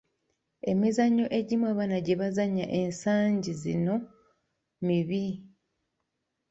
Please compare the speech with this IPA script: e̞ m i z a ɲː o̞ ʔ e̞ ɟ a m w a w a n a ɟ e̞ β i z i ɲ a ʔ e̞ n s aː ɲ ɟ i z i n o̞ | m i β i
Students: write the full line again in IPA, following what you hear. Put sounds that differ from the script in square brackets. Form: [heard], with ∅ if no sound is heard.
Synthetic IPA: e̞ m i z a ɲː o̞ ʔ e̞ ɟ [i] m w a [β] a n a ɟ e̞ β [a] z [a] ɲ a ʔ e̞ n s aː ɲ ɟ i z i n o̞ | m i β i